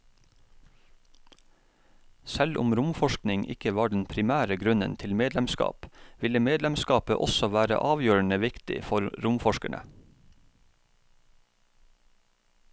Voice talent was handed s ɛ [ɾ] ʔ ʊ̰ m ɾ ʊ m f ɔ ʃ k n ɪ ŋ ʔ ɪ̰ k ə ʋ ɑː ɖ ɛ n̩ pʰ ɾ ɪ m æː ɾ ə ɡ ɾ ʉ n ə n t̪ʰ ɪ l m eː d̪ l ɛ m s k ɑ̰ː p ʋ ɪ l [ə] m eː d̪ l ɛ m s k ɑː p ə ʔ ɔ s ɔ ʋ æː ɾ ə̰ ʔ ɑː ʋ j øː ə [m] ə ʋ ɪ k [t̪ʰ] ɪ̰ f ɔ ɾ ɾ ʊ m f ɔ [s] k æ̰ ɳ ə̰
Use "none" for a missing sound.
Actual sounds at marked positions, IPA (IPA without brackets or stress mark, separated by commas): l, ə, ɳ, t̪, ʃ